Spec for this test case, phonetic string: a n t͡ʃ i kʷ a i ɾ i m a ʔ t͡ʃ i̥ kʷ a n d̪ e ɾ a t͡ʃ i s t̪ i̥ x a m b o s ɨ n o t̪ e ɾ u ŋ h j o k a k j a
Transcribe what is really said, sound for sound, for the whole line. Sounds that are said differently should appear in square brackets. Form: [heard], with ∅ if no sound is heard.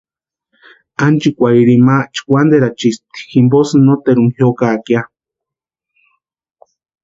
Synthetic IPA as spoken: a n t͡ʃ i kʷ a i ɾ i m a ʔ t͡ʃ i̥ kʷ a n d̪ e ɾ a t͡ʃ i s t̪ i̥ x [i] m b o s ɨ n o t̪ e ɾ u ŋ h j o k a k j a